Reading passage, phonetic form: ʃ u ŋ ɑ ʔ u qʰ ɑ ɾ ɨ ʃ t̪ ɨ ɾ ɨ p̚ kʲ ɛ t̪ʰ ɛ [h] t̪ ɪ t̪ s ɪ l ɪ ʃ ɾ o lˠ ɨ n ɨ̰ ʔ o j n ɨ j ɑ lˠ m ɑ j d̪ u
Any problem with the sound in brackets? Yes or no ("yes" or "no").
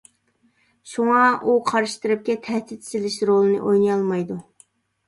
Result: no